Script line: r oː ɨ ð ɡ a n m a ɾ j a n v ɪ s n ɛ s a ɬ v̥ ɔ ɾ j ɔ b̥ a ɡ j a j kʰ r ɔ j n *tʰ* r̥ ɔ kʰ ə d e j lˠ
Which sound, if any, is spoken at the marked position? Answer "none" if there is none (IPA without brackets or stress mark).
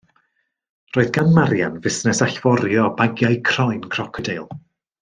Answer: kʰ